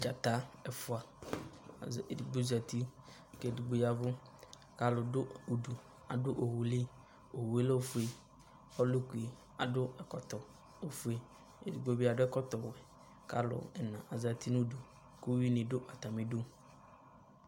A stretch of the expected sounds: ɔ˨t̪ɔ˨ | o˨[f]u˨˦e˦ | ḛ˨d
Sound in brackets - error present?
no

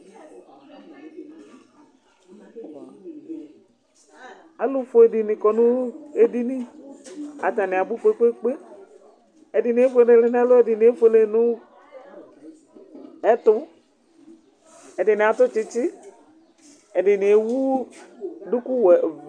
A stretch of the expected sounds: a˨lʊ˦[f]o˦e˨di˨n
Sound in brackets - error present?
no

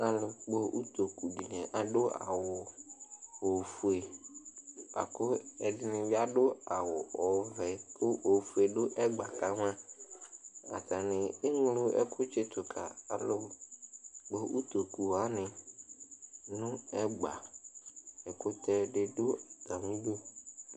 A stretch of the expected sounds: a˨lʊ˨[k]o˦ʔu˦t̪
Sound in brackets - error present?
yes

